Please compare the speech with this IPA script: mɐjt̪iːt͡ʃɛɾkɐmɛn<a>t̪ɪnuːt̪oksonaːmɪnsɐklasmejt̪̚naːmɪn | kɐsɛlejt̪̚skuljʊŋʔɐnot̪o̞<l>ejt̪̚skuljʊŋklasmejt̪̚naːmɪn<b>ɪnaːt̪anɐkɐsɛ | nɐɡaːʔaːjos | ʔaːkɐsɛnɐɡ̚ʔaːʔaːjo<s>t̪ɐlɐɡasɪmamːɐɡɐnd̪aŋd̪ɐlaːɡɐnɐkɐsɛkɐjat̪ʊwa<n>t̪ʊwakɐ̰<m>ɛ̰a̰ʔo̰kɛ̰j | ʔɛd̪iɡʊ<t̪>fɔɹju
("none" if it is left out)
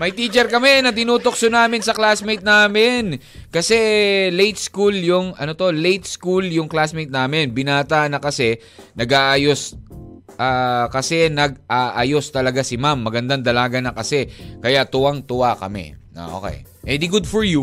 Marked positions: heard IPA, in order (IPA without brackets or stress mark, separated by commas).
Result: ɐ, l, b, s, ŋ, m, d̪